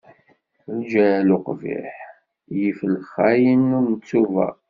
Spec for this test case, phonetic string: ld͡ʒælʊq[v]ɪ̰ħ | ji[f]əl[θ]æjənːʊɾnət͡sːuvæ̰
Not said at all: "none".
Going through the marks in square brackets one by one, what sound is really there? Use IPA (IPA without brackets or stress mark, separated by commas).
v, f, χ